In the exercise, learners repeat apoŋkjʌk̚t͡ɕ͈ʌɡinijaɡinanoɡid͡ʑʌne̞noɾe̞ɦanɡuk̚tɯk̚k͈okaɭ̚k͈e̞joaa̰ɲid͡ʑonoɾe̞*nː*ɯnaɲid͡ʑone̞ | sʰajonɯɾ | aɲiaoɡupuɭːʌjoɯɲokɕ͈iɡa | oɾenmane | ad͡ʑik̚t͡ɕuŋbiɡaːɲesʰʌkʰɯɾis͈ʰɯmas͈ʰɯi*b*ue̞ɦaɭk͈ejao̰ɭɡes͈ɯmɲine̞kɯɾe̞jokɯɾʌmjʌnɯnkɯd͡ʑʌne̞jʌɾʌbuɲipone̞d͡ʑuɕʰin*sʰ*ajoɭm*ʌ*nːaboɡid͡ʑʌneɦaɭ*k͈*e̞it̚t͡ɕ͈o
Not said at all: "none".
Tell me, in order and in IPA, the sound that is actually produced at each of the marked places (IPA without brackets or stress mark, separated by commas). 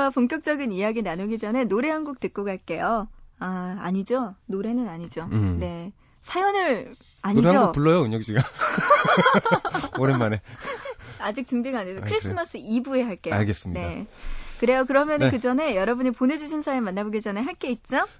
n, b, sʰ, a, k͈